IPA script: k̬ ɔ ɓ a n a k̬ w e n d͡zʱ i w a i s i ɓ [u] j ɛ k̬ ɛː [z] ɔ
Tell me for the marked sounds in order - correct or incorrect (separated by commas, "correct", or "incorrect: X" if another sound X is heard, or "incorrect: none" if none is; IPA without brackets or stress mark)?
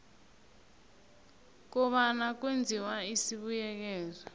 correct, correct